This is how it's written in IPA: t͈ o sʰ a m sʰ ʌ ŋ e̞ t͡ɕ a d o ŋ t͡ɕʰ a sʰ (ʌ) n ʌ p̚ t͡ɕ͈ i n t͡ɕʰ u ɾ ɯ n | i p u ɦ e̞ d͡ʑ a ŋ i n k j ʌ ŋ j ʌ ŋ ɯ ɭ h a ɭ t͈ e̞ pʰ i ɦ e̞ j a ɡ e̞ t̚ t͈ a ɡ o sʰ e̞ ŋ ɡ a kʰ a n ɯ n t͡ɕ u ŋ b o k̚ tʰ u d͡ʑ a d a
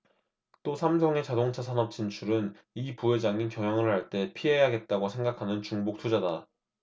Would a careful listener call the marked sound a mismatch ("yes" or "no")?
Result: yes